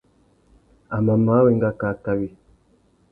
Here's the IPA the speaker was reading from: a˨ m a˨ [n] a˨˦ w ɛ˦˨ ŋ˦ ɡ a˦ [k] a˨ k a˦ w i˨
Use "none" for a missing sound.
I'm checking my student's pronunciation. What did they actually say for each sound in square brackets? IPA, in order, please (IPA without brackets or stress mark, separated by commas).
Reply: m, k